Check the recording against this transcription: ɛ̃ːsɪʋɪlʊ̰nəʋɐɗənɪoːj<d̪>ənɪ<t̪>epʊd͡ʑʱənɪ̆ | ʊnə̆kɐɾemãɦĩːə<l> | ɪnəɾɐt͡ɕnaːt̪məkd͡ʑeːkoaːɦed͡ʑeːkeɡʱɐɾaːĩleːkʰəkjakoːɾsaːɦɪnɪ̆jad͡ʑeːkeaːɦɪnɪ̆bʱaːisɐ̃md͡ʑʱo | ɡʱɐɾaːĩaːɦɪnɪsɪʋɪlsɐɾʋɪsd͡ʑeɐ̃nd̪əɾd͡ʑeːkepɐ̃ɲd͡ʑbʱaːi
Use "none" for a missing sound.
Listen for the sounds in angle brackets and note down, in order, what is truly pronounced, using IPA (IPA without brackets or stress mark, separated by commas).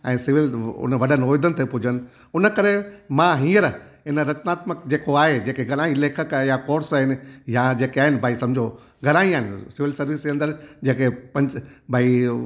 d̪, t̪, ɾ